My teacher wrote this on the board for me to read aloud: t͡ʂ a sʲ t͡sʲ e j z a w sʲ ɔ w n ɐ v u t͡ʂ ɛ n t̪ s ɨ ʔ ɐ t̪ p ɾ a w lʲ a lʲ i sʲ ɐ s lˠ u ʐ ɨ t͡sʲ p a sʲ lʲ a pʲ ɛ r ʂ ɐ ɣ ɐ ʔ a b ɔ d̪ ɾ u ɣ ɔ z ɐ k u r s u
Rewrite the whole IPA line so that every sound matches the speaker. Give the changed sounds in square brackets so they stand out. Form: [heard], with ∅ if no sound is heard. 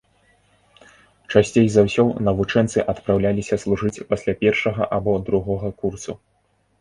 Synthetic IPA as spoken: t͡ʂ a sʲ t͡sʲ e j z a w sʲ ɔ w n ɐ v u t͡ʂ ɛ n t̪ s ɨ ʔ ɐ t̪ p ɾ a w lʲ a lʲ i sʲ ɐ s lˠ u ʐ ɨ t͡sʲ p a sʲ lʲ a pʲ ɛ r ʂ ɐ ɣ ɐ ʔ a b ɔ d̪ ɾ u ɣ ɔ [ɣ] ɐ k u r s u